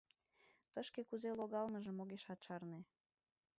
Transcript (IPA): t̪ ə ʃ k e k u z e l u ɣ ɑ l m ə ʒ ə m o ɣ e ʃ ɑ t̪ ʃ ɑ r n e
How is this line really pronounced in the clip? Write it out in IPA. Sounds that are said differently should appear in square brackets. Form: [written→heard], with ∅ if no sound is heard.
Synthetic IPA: t̪ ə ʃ k e k u z e l [u→o] ɣ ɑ l m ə ʒ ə m o ɣ e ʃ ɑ t̪ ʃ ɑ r n e